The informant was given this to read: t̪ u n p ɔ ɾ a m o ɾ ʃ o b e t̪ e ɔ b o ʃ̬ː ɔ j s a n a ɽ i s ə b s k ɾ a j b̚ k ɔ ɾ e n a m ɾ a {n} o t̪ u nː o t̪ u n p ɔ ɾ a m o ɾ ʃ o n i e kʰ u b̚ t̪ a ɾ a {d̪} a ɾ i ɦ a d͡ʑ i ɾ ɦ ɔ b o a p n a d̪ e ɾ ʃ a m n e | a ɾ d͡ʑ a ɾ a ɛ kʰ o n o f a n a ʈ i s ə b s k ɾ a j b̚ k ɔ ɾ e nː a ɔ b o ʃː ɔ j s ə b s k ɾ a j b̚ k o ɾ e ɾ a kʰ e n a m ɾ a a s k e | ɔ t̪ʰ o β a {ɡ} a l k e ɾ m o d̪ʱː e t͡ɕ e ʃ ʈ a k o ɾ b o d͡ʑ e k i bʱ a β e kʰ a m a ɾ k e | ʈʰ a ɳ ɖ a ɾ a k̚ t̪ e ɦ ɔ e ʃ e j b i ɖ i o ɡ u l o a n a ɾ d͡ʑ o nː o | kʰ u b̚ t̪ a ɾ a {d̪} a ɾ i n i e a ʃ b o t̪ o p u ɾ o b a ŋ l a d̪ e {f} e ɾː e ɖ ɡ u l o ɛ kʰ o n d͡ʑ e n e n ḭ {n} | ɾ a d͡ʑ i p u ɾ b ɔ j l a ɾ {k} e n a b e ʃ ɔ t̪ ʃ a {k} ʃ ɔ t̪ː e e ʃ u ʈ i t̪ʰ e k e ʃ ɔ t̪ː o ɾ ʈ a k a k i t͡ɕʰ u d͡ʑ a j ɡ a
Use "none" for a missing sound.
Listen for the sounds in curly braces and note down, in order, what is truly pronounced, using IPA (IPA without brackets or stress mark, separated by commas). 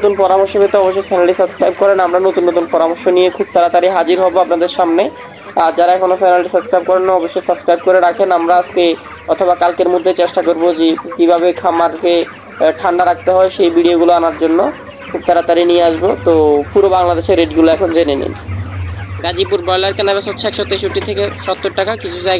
n, t̪, k, t̪, ʃ, n, k, k